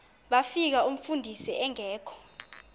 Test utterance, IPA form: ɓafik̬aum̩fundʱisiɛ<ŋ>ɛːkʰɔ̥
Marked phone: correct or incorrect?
correct